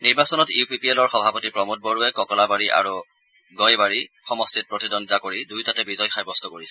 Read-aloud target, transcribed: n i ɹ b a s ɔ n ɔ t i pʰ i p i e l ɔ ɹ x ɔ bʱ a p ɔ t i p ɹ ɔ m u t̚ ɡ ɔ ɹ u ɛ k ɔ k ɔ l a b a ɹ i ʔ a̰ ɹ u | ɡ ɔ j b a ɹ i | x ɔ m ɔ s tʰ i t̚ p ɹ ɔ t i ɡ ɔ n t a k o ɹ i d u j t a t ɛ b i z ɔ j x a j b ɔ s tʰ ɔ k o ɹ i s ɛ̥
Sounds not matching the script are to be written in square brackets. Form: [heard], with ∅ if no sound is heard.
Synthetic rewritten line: n i ɹ b a s ɔ n ɔ t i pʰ i p i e l ɔ ɹ x ɔ bʱ a p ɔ t i p ɹ ɔ m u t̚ [b] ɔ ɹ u ɛ k ɔ k ɔ l a b a ɹ i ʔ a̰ ɹ u | ɡ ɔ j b a ɹ i | x ɔ m ɔ s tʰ i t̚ p ɹ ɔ t i [d] ɔ n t a k o ɹ i d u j t a t ɛ b i z ɔ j x a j b ɔ s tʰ ɔ k o ɹ i s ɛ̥

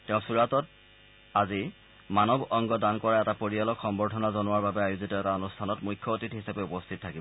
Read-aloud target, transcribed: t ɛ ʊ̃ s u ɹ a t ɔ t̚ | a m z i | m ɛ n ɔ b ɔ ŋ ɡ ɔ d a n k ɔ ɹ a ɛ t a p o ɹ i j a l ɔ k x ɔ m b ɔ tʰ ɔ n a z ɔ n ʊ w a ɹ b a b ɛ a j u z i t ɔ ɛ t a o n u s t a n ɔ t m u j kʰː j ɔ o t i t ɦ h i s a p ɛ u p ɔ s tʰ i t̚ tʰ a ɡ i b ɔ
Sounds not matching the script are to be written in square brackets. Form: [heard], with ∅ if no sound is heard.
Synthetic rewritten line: t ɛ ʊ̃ s u ɹ a t ɔ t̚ | a [∅] z i | m [a] n ɔ b ɔ ŋ ɡ ɔ d a n k ɔ ɹ a ɛ t a p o ɹ i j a l ɔ k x ɔ m b ɔ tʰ ɔ n a z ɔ n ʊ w a ɹ b a b ɛ a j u z i t ɔ ɛ t a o n u s [tʰ] a n ɔ t m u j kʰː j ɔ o t i t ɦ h i s a p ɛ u p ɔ s tʰ i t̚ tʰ a [k] i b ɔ

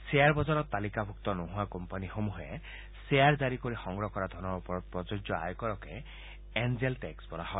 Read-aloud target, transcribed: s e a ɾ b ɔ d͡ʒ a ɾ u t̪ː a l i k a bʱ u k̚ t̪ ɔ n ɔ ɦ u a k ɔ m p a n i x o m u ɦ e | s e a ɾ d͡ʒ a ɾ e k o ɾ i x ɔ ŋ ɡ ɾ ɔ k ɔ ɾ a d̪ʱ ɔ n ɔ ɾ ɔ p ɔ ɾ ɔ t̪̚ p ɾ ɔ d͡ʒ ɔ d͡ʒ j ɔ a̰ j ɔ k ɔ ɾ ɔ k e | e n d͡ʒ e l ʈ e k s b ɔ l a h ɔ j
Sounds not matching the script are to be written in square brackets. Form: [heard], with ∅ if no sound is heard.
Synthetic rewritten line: s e a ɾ b ɔ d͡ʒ a ɾ [ɔ] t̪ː a l i k a bʱ u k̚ t̪ ɔ n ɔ ɦ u a k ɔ m p a n i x o m u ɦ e | s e a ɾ d͡ʒ a ɾ [i] k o ɾ i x ɔ ŋ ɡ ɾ ɔ k ɔ ɾ a d̪ʱ ɔ n ɔ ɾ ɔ p ɔ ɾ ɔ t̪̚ p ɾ ɔ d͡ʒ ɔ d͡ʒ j ɔ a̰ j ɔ k ɔ ɾ ɔ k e | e n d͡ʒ e l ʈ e k s b ɔ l a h ɔ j

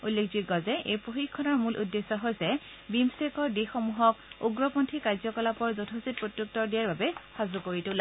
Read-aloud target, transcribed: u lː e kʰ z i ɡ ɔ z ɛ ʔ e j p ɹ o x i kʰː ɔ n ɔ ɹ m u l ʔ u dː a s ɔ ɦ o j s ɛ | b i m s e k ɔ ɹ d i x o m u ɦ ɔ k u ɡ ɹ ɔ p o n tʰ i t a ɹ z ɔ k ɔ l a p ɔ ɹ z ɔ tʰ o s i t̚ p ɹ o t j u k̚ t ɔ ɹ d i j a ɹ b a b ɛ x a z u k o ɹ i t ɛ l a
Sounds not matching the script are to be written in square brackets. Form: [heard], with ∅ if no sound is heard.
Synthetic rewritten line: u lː e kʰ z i ɡ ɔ z ɛ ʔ e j p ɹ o x i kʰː ɔ n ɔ ɹ m u l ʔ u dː [e] s ɔ ɦ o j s ɛ | b i m s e k ɔ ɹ d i x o m u ɦ ɔ k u ɡ ɹ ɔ p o n tʰ i [k] a ɹ z ɔ k ɔ l a p ɔ ɹ z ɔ tʰ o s i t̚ p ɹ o t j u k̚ t ɔ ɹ d i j a ɹ b a b ɛ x a z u k o ɹ i t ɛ l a

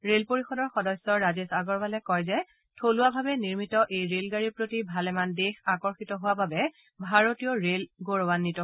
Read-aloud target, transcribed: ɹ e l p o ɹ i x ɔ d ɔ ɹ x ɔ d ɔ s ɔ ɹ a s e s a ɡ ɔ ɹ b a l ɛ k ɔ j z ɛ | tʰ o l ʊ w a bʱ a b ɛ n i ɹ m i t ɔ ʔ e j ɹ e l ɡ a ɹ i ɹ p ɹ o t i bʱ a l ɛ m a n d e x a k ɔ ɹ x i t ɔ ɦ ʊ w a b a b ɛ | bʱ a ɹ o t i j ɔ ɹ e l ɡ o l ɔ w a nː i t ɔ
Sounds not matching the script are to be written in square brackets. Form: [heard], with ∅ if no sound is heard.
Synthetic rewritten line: ɹ e l p o ɹ i x ɔ d ɔ ɹ x ɔ d ɔ s ɔ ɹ a [z] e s a ɡ ɔ ɹ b a l ɛ k ɔ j z ɛ | tʰ o l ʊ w a bʱ a b ɛ n i ɹ m i t ɔ ʔ e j ɹ e l ɡ a ɹ i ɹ p ɹ o t i bʱ a l ɛ m a n d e x a k ɔ ɹ x i t ɔ ɦ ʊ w a b a b ɛ | bʱ a ɹ o t i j ɔ ɹ e l ɡ o [ɹ] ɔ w a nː i t ɔ

